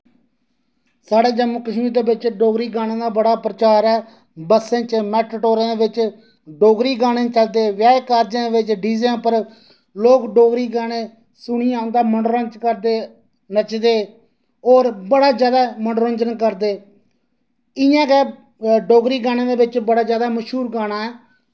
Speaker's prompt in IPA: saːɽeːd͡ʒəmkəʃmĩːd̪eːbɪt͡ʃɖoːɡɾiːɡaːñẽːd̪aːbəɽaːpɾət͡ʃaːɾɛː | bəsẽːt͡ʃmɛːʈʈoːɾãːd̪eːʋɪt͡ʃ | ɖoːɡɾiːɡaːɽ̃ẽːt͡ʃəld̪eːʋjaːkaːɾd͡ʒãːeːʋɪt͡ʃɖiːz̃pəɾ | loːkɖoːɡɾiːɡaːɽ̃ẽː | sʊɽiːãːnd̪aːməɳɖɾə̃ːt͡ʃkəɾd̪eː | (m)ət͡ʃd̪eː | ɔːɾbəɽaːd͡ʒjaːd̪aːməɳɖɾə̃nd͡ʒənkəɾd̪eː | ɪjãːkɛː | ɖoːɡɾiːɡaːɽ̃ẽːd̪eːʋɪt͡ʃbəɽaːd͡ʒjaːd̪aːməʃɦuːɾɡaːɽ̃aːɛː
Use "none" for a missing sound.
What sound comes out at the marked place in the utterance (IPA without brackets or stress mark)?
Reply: n